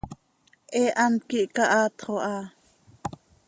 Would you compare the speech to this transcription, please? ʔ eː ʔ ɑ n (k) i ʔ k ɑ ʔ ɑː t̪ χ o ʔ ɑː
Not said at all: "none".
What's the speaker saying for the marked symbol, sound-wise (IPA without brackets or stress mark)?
k